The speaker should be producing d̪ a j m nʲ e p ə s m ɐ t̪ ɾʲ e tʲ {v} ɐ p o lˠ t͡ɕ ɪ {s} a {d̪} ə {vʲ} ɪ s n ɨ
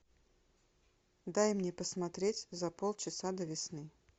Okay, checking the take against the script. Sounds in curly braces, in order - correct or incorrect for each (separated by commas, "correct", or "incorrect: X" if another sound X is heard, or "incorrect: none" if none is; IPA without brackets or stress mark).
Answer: incorrect: z, correct, correct, correct